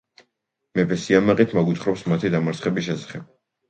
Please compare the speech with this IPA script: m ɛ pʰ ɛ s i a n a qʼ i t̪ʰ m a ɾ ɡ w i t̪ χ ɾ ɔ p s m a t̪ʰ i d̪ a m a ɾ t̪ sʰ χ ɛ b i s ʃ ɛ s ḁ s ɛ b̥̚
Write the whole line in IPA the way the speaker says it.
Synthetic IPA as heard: m ɛ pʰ ɛ s i a m a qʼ i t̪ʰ m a ɡ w i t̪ χ ɾ ɔ p s m a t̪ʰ i d̪ a m a ɾ t̪ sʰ χ ɛ b i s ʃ ɛ s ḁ χ ɛ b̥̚